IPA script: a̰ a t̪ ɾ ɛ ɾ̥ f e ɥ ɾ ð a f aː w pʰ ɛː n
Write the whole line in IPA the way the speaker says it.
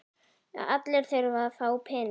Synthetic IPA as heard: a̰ a t̪ l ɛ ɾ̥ θ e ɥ ɾ v a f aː w pʰ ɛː n